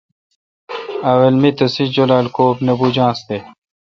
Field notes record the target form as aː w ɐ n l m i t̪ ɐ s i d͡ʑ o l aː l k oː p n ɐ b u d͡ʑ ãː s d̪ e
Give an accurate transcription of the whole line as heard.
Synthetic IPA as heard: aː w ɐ l m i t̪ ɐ s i d͡ʑ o l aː l k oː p n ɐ b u d͡ʑ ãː s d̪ e